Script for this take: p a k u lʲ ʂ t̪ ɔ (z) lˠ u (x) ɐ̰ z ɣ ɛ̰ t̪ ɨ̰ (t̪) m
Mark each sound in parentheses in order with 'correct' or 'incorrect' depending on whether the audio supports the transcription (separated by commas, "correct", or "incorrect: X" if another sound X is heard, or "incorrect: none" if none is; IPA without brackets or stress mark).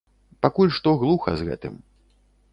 incorrect: ɣ, correct, incorrect: none